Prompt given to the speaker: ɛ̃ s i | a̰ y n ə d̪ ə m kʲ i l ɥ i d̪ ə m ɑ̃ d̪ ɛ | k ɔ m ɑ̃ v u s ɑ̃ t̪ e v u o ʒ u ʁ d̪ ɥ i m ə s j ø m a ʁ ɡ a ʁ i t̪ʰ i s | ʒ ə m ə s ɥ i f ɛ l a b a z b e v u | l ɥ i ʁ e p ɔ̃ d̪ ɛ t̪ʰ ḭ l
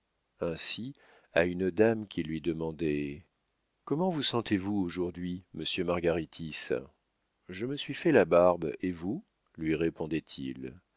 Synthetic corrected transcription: ɛ̃ s i | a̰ y n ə d̪ a m kʲ i l ɥ i d̪ ə m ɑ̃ d̪ ɛ | k ɔ m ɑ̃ v u s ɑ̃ t̪ e v u o ʒ u ʁ d̪ ɥ i m ə s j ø m a ʁ ɡ a ʁ i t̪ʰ i s | ʒ ə m ə s ɥ i f ɛ l a b a ʁ b e v u | l ɥ i ʁ e p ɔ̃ d̪ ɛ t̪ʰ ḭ l